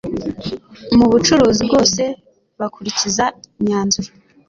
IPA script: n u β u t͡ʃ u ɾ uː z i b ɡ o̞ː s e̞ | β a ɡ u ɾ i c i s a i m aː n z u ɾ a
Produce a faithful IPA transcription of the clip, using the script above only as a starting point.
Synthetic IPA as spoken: m u β u t͡ʃ u ɾ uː z i b ɡ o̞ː s e̞ | β a k u ɾ i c i z a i ɲ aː n z u ɾ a